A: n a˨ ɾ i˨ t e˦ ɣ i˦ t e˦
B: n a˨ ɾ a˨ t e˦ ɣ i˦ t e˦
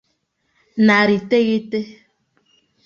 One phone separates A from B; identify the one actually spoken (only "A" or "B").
A